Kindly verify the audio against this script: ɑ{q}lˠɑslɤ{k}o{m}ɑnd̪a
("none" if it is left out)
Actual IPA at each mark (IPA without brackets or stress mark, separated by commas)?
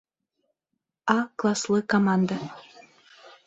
k, k, m